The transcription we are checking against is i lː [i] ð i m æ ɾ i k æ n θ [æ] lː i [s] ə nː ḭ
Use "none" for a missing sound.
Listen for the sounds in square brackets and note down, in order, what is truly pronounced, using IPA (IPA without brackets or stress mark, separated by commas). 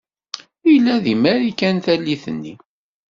æ, æ, θ